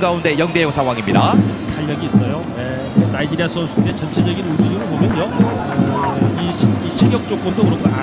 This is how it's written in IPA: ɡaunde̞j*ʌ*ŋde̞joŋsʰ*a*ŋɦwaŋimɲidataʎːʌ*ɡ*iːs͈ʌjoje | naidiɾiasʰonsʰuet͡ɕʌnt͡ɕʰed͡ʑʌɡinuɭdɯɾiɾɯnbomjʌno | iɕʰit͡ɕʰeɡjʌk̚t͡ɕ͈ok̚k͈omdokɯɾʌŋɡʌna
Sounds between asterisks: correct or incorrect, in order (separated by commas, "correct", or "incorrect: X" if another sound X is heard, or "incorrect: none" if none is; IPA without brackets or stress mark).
correct, correct, correct